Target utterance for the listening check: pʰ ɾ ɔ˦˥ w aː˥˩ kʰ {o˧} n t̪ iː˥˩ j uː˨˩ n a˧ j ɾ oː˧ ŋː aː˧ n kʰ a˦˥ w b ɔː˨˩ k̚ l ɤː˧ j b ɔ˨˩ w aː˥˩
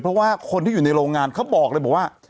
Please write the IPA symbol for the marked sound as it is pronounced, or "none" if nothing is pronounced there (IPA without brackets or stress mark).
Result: o˧